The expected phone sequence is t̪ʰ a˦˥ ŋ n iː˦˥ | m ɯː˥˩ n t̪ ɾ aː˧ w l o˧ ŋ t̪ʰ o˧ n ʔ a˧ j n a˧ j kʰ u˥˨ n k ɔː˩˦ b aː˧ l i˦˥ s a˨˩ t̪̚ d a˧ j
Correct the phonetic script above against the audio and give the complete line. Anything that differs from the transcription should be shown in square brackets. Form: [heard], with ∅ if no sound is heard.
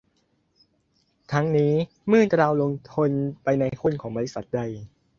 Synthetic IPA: t̪ʰ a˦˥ ŋ n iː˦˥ | m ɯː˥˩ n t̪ ɾ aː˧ w l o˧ ŋ t̪ʰ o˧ n [p] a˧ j n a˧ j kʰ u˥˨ n [kʰ] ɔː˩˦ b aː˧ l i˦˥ s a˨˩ t̪̚ d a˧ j